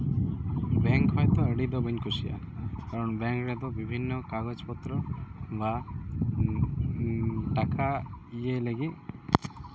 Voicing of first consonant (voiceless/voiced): voiced